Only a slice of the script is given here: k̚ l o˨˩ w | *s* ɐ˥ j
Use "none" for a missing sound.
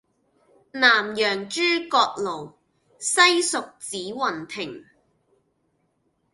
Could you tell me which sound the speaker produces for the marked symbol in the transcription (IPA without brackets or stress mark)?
s